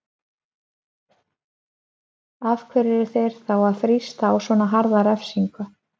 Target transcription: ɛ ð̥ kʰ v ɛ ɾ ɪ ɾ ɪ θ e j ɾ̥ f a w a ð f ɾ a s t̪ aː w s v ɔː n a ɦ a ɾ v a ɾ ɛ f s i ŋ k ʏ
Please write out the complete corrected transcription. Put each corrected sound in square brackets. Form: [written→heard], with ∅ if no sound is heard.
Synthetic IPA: [ɛ→a] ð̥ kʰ v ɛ ɾ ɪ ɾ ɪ θ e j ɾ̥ [f→θ] a w a ð f ɾ [a→i] s t̪ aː w s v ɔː n a ɦ a ɾ [v→ð] a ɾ ɛ f s i ŋ k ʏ